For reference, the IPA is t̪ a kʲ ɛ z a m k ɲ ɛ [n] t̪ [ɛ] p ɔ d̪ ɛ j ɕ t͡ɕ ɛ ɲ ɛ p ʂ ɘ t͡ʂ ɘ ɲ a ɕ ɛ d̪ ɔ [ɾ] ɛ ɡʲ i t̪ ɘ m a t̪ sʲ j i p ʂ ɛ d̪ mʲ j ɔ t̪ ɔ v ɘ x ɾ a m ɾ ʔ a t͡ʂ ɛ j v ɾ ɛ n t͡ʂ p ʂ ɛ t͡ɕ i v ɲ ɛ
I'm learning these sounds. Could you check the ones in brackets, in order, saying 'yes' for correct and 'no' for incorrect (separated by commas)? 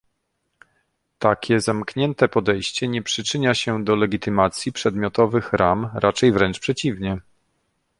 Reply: yes, yes, no